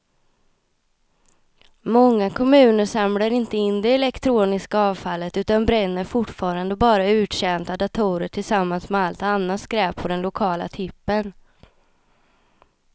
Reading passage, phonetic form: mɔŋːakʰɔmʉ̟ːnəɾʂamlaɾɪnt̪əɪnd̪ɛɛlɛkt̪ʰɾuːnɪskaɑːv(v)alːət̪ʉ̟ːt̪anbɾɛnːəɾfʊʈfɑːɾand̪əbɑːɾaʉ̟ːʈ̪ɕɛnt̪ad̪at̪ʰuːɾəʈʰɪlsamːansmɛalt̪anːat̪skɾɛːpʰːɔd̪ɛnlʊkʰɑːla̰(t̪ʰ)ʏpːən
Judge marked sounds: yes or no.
no, yes

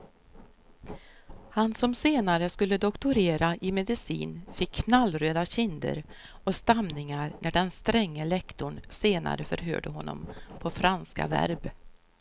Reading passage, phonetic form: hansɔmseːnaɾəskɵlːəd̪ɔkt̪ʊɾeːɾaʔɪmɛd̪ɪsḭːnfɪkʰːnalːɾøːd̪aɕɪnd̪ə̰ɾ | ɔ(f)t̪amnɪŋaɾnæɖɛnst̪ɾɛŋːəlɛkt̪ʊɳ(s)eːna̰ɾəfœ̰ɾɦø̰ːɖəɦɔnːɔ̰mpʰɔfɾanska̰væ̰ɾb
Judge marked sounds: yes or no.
no, yes

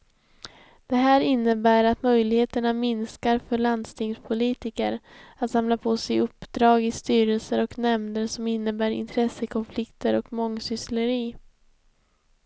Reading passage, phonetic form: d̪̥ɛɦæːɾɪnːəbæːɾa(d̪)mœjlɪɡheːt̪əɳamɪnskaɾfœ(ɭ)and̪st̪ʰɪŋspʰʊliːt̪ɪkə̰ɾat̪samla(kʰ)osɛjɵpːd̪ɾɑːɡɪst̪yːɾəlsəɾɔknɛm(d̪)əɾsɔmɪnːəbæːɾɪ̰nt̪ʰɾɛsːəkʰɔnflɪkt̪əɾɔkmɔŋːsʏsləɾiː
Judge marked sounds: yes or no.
no, yes, no, yes

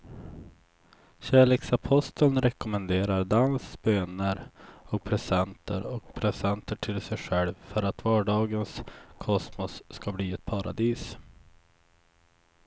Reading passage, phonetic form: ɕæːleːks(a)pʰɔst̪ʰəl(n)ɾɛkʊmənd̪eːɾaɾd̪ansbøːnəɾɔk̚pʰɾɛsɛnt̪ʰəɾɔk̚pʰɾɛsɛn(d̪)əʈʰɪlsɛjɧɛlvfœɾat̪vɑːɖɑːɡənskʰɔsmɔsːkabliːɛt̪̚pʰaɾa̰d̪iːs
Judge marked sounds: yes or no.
yes, yes, no

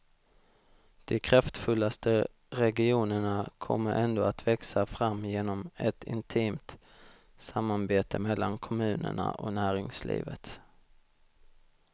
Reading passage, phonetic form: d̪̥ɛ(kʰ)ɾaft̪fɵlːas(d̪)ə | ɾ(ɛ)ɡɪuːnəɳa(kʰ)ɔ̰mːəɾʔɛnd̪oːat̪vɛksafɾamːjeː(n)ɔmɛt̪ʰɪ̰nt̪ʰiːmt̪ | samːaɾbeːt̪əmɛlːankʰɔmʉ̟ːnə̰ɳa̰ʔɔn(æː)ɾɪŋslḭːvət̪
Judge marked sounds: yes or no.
yes, no, yes, yes, yes, yes

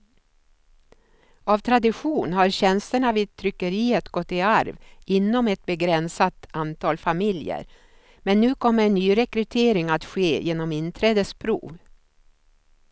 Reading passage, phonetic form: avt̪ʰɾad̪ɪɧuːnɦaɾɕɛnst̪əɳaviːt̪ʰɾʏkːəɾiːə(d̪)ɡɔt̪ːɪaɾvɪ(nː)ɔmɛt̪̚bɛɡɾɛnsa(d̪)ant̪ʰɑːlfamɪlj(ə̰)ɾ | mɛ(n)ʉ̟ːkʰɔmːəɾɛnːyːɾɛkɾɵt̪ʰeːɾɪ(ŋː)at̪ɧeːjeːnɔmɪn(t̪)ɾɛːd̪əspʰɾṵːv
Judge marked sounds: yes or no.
no, yes, no, yes, no, no, no

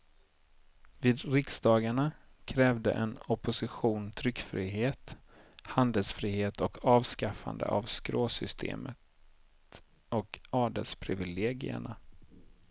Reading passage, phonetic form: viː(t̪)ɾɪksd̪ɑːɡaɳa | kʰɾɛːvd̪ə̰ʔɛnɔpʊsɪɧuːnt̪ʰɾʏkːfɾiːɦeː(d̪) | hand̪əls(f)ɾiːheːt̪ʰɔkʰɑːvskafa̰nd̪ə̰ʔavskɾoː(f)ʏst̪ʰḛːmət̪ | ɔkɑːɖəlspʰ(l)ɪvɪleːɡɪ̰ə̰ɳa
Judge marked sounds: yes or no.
no, no, yes, no, no

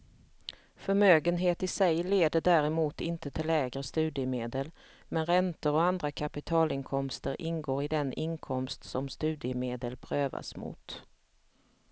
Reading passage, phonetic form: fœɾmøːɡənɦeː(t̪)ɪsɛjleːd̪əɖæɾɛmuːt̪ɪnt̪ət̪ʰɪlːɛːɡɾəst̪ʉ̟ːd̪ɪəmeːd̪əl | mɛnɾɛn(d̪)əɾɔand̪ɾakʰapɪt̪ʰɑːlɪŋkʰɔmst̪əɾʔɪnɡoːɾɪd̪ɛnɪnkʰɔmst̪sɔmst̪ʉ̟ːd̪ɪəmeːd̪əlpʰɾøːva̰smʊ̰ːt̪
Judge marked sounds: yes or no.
yes, no

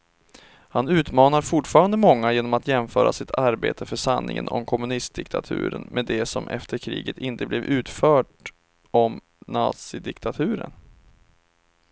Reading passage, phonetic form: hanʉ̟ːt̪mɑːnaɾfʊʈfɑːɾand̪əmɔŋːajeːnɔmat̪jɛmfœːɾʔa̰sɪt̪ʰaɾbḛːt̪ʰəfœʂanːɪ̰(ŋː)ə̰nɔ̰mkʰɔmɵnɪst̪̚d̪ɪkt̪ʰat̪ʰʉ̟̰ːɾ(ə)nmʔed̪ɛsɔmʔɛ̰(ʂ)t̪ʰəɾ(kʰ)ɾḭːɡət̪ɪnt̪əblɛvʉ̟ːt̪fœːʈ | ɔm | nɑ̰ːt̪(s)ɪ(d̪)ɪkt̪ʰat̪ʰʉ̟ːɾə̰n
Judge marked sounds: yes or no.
no, yes, no, yes, yes, yes

